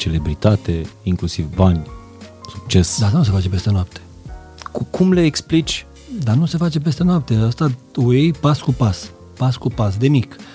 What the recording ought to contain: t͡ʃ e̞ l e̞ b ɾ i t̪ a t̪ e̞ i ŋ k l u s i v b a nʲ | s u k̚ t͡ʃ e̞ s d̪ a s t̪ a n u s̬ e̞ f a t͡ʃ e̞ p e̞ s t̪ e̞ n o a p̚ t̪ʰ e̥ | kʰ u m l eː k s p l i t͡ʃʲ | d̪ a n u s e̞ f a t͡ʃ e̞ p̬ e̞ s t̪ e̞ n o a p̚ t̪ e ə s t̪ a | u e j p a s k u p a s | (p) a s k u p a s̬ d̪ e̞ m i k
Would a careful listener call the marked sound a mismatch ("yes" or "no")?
no